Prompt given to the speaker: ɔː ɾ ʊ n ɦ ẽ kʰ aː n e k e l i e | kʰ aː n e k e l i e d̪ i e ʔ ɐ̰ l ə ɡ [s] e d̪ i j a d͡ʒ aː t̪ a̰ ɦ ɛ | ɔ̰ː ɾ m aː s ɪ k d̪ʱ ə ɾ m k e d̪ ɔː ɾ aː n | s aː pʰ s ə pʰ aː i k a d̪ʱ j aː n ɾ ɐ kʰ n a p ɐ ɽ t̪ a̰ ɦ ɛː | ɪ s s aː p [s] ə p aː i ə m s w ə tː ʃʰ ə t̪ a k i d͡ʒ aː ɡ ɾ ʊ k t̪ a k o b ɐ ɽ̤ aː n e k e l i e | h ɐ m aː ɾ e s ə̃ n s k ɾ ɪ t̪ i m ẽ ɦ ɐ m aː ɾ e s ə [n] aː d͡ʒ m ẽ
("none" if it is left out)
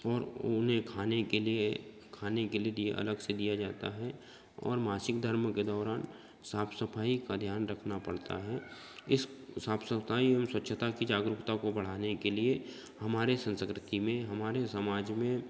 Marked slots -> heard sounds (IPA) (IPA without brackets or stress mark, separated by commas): s, s, m